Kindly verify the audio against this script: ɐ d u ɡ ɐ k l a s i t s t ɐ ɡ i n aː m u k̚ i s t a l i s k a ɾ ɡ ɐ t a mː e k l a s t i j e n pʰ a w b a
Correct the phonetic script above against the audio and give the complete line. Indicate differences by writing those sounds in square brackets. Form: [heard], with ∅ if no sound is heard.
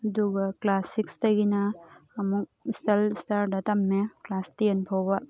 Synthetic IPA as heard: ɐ d u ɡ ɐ k l a s i [k] s t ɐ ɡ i n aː m u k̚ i s t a l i s [t] a ɾ [d] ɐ t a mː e k l a s t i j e n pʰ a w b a